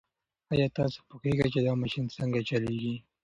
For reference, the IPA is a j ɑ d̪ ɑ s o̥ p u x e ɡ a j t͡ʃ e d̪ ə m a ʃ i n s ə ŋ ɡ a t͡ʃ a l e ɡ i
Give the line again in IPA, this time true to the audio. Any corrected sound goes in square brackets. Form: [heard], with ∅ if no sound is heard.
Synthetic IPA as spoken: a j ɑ [t̪] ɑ s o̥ p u x e ɡ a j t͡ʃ e d̪ [ɑ] m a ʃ i n s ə ŋ ɡ a t͡ʃ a l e ɡ i